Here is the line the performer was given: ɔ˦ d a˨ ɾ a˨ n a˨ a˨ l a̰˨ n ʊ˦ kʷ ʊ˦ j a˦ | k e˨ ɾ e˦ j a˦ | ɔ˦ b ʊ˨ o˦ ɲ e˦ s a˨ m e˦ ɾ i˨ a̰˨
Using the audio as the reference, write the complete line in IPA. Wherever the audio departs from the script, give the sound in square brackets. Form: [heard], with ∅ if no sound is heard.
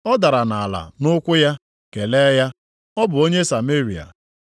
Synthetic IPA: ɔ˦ d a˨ ɾ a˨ n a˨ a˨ l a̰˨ n ʊ˦ kʷ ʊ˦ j a˦ | k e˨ [l] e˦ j a˦ | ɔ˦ b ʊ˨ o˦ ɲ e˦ s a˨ m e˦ ɾ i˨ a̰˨